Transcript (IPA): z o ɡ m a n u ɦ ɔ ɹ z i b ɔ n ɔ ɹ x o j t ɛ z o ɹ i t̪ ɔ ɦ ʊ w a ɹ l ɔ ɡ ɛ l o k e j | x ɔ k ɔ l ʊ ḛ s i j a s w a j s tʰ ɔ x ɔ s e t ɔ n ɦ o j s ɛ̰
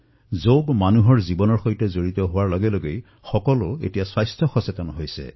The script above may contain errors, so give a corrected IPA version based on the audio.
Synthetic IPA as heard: z o ɡ m a n u ɦ ɔ ɹ z i b ɔ n ɔ ɹ x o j t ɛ z o ɹ i t̪ ɔ ɦ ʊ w a ɹ l ɔ ɡ ɛ l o ɡ e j | x ɔ k ɔ l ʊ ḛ t i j a s w a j s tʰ ɔ x ɔ s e t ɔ n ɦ o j s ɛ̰